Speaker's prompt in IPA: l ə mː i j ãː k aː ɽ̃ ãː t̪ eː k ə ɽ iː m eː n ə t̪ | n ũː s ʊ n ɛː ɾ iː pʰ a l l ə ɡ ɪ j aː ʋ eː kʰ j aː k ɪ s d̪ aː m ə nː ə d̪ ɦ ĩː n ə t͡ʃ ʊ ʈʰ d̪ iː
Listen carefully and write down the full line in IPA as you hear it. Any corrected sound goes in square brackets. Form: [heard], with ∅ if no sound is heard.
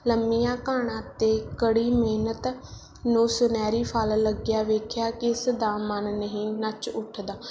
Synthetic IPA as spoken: l ə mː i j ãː k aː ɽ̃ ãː t̪ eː k ə ɽ iː m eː n ə t̪ | n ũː s ʊ n ɛː ɾ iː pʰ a l l ə ɡ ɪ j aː ʋ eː kʰ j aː k ɪ s d̪ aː m ə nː ə [∅] ɦ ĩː n ə t͡ʃ ʊ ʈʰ d̪ [aː]

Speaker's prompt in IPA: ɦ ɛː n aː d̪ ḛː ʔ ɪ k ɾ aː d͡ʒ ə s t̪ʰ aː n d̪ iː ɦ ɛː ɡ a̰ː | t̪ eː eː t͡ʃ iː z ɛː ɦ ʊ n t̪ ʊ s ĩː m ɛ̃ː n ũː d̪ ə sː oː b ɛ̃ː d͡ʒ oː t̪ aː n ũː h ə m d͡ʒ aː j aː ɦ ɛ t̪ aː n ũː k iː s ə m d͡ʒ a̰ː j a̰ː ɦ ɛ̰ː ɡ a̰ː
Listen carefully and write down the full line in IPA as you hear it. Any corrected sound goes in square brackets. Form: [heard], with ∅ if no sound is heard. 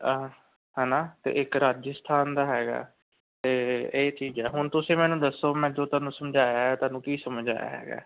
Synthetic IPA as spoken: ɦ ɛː n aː [t̪] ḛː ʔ ɪ k ɾ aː d͡ʒ ə s t̪ʰ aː n d̪ [aː] ɦ ɛː ɡ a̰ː | t̪ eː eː t͡ʃ iː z ɛː ɦ ʊ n t̪ ʊ s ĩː m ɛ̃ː n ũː d̪ ə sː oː [m] ɛ̃ː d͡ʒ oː t̪ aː n ũː [s] ə m d͡ʒ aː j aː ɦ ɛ t̪ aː n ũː k iː s ə m d͡ʒ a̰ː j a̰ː ɦ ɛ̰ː ɡ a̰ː

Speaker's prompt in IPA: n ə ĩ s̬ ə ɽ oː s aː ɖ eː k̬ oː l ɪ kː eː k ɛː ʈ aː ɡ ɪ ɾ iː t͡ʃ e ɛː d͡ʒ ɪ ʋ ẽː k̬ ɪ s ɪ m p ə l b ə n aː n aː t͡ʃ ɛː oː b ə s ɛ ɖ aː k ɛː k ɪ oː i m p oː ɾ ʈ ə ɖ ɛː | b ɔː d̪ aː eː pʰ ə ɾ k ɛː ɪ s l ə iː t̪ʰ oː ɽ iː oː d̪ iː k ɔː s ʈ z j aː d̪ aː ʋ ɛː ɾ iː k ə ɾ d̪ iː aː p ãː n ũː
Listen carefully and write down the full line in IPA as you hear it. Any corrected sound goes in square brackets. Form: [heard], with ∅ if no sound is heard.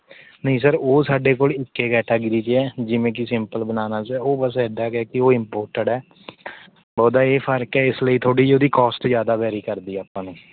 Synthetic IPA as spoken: n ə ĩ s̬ ə [ɾ] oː s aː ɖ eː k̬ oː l ɪ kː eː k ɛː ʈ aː ɡ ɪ ɾ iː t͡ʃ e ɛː d͡ʒ ɪ ʋ ẽː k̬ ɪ s ɪ m p ə l b ə n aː n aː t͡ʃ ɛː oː b ə s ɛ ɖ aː k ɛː k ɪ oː [ɪ] m p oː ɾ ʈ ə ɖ ɛː | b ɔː d̪ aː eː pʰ ə ɾ k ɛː ɪ s l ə iː t̪ʰ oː ɽ iː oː d̪ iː k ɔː s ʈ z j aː d̪ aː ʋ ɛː ɾ iː k ə ɾ d̪ iː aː p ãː n ũː

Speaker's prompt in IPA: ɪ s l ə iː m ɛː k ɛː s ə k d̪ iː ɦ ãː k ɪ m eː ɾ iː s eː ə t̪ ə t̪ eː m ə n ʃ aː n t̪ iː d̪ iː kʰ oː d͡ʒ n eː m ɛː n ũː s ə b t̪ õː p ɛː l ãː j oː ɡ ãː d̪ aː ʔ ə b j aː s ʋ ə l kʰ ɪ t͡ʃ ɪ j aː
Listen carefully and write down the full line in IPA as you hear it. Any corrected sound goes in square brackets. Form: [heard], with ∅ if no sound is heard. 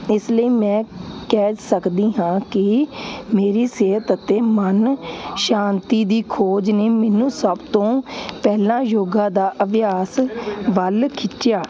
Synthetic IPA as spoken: ɪ s l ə iː m [ɛ̃ː] k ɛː s ə k d̪ iː ɦ ãː k ɪ m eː ɾ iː s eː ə t̪ ə t̪ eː m ə n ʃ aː n t̪ iː d̪ iː kʰ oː d͡ʒ n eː m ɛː n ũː s ə b t̪ õː p ɛː l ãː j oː ɡ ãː d̪ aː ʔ ə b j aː s ʋ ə l kʰ ɪ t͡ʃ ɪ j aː

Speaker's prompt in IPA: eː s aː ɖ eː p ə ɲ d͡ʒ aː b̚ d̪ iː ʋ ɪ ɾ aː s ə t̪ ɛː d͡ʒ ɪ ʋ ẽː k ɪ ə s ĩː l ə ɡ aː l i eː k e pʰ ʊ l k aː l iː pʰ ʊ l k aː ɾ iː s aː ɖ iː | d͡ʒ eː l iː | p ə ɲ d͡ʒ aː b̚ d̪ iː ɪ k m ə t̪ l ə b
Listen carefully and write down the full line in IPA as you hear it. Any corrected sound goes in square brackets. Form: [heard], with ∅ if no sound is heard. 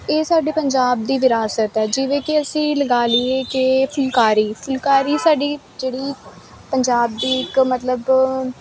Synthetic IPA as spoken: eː s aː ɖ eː p ə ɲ d͡ʒ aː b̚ d̪ iː ʋ ɪ ɾ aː s ə t̪ ɛː d͡ʒ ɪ ʋ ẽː k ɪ ə s ĩː l ə ɡ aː l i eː k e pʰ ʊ l k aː [ɾ] iː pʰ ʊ l k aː ɾ iː s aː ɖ iː | d͡ʒ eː [ɽ] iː | p ə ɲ d͡ʒ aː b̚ d̪ iː ɪ k m ə t̪ l ə b

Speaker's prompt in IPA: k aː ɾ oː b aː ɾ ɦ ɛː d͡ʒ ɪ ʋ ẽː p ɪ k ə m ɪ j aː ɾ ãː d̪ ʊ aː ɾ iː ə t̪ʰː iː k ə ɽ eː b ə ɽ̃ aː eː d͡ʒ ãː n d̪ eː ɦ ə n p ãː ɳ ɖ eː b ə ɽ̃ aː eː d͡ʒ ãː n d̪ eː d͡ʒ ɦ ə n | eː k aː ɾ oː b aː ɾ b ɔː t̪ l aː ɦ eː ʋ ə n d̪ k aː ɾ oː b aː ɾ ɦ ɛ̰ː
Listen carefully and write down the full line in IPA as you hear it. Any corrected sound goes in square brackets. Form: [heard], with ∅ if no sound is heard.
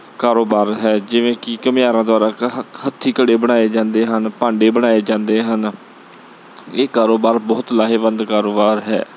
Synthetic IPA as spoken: k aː ɾ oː b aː ɾ ɦ ɛː d͡ʒ ɪ ʋ ẽː [k] ɪ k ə m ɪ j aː ɾ ãː d̪ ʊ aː ɾ [aː] ə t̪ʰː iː k ə ɽ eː b ə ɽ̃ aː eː d͡ʒ ãː n d̪ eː ɦ ə n p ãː ɳ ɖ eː b ə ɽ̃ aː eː d͡ʒ ãː n d̪ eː [∅] ɦ ə n | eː k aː ɾ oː b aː ɾ b ɔː t̪ l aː ɦ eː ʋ ə n d̪ k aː ɾ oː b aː ɾ ɦ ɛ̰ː

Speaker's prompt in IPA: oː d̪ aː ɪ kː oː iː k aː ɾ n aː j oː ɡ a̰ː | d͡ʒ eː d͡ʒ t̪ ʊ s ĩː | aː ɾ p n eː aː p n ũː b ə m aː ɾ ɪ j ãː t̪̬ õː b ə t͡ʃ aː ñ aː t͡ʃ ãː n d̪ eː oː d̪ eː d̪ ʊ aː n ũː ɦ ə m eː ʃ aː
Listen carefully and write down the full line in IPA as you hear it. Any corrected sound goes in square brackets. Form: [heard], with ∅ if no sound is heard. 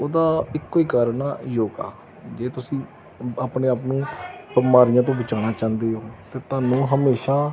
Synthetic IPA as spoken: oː d̪ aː ɪ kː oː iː k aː ɾ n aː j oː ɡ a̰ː | d͡ʒ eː [∅] t̪ ʊ s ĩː | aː [∅] p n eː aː p n ũː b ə m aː ɾ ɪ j ãː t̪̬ õː b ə t͡ʃ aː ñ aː t͡ʃ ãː n d̪ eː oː [t̪] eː [t̪] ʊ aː n ũː ɦ ə m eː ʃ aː

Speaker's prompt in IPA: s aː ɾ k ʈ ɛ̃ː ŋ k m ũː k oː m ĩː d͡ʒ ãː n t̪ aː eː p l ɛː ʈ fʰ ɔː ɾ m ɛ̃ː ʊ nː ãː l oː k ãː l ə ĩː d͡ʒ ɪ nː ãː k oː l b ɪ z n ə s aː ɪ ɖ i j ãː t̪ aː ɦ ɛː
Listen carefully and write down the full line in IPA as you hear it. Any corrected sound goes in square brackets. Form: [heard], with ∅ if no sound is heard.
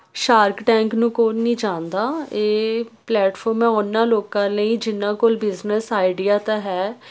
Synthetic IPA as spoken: [ʃ] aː ɾ k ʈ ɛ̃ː ŋ k [n] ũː k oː [n] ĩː d͡ʒ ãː n [d̪] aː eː p l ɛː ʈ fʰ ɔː ɾ m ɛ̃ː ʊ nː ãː l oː k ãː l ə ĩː d͡ʒ ɪ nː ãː k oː l b ɪ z n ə s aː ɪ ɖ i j [aː] t̪ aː ɦ ɛː

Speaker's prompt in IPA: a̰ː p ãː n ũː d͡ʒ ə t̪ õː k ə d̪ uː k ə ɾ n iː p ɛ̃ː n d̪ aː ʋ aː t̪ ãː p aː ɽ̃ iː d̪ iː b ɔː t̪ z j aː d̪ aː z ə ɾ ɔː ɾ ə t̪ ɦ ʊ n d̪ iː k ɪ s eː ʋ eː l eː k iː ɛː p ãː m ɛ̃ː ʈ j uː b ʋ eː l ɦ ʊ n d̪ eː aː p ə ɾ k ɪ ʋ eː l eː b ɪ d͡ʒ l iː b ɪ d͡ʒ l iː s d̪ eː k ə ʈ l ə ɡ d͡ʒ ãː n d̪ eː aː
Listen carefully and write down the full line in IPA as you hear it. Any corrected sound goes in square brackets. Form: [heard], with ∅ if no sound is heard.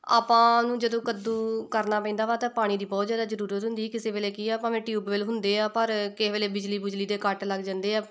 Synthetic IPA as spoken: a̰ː p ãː n ũː d͡ʒ ə [d̪] õː k ə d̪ uː k ə ɾ n [aː] p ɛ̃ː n d̪ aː ʋ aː t̪ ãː p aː ɽ̃ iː d̪ iː b ɔː t̪ z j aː d̪ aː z ə ɾ [uː] ɾ ə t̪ ɦ ʊ n d̪ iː k ɪ s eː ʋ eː l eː k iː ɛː p ãː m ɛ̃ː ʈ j uː b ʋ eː l ɦ ʊ n d̪ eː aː p ə ɾ k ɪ ʋ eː l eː b ɪ d͡ʒ l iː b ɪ d͡ʒ l iː [∅] d̪ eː k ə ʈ l ə ɡ d͡ʒ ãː n d̪ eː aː

